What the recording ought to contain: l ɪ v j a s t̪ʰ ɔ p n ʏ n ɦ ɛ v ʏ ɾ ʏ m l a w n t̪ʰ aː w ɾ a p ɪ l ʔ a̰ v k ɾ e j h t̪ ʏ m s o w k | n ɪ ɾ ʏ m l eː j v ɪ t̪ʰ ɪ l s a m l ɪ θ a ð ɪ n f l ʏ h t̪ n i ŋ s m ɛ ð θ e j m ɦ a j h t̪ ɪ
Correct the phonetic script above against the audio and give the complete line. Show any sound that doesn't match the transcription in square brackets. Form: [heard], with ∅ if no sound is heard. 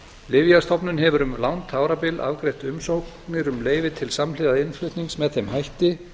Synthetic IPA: l ɪ v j a s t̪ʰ ɔ p n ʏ n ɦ ɛ v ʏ ɾ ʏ m l a w n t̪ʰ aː w ɾ a p ɪ l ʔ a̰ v k ɾ e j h t̪ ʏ m s o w k | n ɪ ɾ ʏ m l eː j v ɪ t̪ʰ ɪ l s a m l ɪ [ð] a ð ɪ n f l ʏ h t̪ n i ŋ s m ɛ ð θ e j m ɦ a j h t̪ ɪ